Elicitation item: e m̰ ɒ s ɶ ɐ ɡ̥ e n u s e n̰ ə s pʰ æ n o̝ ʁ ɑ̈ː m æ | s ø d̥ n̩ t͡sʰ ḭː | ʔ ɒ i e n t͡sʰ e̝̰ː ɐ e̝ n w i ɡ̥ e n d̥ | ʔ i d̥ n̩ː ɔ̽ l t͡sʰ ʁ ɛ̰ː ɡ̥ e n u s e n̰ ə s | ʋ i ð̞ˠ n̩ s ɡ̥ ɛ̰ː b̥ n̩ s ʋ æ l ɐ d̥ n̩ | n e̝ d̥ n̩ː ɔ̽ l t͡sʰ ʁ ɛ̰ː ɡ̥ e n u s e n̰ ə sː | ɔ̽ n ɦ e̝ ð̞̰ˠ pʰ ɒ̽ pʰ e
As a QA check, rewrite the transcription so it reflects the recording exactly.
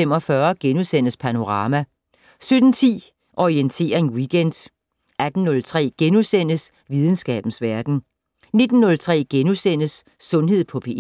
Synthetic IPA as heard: e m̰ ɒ f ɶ ɐ ɡ̥ e n u s e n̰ ə s pʰ æ n o̝ ʁ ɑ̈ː m æ | s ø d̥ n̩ t͡sʰ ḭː | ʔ ɒ i e n t͡sʰ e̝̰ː ɐ e̝ n w i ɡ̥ e n d̥ | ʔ æ d̥ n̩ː ɔ̽ l t͡sʰ ʁ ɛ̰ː ɡ̥ e n u s e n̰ ə s | ʋ i ð̞ˠ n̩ s ɡ̥ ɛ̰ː b̥ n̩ s ʋ æ ɐ d̥ n̩ | n e̝ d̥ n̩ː ɔ̽ l t͡sʰ ʁ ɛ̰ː ɡ̥ e n u s e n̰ ə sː | ɔ̽ n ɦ e̝ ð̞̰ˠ pʰ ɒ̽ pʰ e

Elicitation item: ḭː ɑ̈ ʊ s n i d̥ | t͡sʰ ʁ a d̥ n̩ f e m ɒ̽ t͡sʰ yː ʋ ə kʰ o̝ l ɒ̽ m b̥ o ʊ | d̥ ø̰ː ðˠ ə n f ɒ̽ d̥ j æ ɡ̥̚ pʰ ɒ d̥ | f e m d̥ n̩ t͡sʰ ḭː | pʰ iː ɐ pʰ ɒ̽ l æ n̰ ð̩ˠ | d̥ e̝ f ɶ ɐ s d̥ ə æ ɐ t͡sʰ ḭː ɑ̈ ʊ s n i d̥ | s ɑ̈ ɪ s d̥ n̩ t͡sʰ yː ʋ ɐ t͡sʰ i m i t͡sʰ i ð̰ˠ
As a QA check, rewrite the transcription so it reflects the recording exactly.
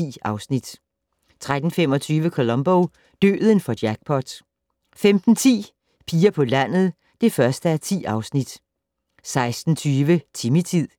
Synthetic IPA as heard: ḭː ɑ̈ ʊ s n i d̥ | t͡sʰ ʁ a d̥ n̩ f e m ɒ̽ t͡sʰ yː ʋ ə kʰ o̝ l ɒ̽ m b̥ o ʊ | d̥ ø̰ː ðˠ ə n f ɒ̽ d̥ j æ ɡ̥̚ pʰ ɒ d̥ | f e m d̥ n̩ t͡sʰ ḭː | pʰ iː ɐ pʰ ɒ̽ l æ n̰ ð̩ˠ | d̥ e̝ f ɶ ɐ s d̥ ə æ ɐ t͡sʰ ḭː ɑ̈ ʊ s n i d̥ | s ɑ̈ ɪ s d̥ n̩ t͡sʰ yː ʋ ə t͡sʰ i m i t͡sʰ i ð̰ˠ

